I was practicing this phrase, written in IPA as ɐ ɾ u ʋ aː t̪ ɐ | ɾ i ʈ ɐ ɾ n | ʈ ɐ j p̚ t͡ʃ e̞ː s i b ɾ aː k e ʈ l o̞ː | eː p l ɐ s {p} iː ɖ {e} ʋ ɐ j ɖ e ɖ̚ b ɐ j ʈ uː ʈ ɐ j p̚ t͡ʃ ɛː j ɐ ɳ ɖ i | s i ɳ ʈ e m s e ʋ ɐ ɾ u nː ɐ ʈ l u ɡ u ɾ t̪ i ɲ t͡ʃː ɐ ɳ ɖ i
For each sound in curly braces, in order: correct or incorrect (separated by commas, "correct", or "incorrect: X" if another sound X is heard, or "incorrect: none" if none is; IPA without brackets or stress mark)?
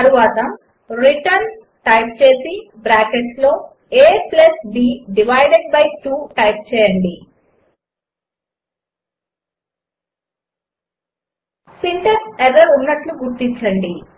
incorrect: b, incorrect: i